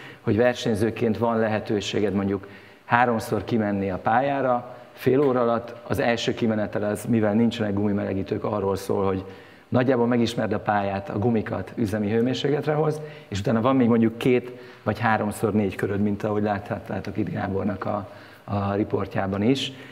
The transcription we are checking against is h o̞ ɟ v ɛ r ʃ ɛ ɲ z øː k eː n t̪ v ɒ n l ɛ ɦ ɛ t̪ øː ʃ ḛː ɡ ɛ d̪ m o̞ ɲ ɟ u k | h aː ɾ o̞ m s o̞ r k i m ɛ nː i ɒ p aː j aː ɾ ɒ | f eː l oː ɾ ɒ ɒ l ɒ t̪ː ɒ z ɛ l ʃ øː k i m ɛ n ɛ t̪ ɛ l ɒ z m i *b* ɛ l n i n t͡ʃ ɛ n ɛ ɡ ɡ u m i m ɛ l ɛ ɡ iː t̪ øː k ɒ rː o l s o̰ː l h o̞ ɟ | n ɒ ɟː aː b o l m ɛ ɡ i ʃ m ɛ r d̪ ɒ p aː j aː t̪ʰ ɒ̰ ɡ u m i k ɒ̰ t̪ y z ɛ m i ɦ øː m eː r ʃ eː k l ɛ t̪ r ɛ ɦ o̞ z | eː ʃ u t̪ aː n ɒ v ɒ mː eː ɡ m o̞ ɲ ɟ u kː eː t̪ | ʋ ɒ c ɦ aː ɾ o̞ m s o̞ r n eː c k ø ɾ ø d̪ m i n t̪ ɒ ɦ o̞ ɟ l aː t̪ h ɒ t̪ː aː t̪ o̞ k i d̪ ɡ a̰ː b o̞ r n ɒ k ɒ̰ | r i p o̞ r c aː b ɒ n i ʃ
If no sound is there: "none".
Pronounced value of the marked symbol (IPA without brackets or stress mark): v